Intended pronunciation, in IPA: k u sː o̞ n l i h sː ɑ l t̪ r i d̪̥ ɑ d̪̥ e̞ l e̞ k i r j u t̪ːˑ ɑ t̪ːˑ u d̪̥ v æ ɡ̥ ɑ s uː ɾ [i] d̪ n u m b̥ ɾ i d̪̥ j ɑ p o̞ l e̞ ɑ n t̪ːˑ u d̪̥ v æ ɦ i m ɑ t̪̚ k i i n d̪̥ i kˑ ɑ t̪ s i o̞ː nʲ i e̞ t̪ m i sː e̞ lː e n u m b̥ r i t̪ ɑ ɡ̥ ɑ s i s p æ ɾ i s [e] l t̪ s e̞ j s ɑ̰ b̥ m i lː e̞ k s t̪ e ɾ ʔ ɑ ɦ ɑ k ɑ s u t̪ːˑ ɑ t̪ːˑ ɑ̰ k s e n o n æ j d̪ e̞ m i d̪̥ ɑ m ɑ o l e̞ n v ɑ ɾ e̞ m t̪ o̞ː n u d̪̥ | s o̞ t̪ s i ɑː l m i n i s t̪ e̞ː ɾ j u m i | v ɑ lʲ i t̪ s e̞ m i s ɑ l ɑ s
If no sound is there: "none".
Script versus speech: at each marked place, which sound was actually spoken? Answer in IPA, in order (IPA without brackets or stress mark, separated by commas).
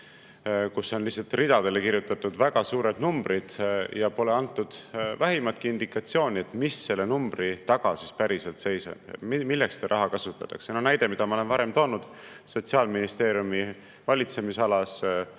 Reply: e, e